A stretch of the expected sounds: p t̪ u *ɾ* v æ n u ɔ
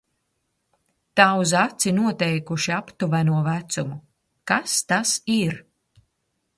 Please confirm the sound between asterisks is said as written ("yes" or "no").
no